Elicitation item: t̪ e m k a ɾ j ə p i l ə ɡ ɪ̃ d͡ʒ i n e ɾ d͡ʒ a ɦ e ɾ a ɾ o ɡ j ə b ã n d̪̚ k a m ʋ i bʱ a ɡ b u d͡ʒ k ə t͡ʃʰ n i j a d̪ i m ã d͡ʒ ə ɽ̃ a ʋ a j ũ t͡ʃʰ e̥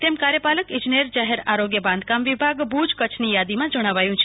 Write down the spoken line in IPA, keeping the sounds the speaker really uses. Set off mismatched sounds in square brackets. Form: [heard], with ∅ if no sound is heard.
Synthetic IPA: t̪ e m k a ɾ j ə p [a] l ə [k] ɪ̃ d͡ʒ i n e ɾ d͡ʒ a ɦ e ɾ a ɾ o ɡ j ə b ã n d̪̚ k a m ʋ i bʱ a ɡ b u d͡ʒ k ə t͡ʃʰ n i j a d̪ i m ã d͡ʒ ə ɽ̃ a ʋ a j ũ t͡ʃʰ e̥